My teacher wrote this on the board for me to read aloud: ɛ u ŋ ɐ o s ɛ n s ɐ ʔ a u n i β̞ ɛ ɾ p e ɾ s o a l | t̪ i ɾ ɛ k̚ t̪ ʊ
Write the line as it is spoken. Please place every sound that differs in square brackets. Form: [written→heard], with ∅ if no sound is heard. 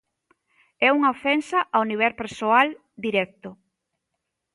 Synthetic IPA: ɛ u ŋ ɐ o [s→f] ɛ n s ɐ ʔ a [u→w] n i β̞ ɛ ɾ p e ɾ s o a l | [t̪→d̪] i ɾ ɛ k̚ t̪ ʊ